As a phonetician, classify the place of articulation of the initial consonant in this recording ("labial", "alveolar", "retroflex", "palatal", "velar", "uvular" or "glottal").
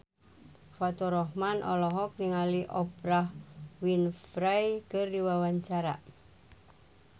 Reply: labial